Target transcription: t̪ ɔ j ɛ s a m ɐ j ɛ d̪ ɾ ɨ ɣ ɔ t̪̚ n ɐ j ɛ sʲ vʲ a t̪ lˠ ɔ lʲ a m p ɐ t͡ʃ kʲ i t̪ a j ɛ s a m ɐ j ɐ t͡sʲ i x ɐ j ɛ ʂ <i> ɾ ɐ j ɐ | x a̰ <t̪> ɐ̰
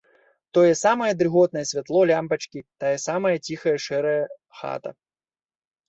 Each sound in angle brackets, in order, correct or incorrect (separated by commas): incorrect, correct